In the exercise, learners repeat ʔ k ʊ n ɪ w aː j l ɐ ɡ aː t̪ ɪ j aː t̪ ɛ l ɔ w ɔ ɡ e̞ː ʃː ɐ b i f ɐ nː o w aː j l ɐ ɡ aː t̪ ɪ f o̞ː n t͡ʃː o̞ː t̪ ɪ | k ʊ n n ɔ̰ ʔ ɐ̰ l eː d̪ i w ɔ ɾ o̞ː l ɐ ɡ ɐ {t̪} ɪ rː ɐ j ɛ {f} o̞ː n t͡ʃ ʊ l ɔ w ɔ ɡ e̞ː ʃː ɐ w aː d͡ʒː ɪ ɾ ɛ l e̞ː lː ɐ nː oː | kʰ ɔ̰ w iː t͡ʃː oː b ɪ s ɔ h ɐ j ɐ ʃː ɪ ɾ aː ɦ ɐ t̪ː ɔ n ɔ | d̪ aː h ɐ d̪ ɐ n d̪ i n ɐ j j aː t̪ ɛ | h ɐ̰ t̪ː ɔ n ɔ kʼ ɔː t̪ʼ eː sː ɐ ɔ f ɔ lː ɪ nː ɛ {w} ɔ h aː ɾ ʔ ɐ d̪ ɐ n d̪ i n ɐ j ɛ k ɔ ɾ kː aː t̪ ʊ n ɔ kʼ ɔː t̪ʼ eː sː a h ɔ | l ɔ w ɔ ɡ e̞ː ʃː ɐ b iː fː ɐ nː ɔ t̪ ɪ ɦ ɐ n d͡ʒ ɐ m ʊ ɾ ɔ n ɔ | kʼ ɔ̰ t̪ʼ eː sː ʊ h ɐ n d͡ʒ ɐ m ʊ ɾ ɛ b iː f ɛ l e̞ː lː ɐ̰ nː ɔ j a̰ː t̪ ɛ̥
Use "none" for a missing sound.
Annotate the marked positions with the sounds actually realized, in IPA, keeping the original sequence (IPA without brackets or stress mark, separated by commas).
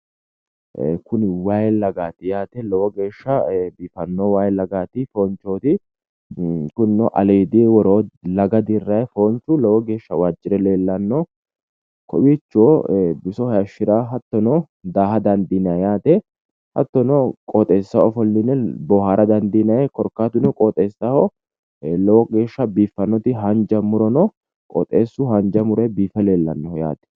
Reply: d̪, f, b